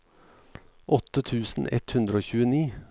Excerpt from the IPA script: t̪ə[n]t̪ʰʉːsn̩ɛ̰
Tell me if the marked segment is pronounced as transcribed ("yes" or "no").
no